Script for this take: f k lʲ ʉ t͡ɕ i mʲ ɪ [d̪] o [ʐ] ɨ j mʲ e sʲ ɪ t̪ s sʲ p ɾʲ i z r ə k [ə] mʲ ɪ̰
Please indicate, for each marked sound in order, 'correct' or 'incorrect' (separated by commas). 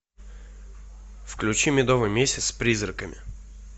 correct, incorrect, correct